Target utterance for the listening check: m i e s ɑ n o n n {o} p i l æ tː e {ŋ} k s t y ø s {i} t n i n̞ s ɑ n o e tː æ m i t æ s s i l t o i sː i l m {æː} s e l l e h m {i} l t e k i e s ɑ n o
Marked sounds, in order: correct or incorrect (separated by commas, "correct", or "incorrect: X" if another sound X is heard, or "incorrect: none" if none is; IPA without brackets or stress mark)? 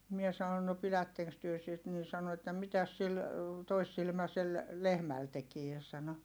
correct, correct, correct, incorrect: æ, incorrect: æ